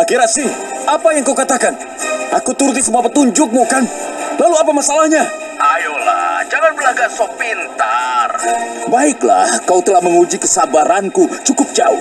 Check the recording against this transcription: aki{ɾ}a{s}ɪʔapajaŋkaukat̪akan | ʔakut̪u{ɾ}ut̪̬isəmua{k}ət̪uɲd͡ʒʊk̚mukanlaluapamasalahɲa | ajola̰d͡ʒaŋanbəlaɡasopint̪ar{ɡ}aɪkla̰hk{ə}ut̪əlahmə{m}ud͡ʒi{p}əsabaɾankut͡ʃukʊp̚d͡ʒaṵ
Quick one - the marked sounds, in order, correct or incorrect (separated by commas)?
correct, correct, correct, incorrect, incorrect, incorrect, incorrect, incorrect